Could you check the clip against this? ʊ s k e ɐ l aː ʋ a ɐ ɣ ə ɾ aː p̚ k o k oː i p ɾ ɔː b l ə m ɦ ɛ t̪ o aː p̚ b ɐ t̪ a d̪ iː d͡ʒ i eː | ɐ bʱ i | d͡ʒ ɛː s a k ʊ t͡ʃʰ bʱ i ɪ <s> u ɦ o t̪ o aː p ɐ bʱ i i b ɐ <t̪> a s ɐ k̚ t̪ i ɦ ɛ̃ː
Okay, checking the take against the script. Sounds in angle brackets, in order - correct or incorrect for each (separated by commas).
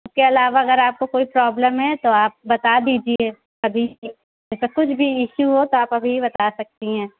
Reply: incorrect, correct